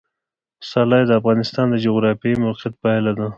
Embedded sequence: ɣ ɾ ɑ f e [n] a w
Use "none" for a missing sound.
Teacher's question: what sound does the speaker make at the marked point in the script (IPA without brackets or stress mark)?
m